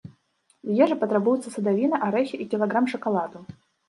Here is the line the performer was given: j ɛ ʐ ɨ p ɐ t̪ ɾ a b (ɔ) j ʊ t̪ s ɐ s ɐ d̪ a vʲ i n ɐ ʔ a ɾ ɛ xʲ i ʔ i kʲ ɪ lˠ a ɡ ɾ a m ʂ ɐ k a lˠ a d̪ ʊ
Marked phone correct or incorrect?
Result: incorrect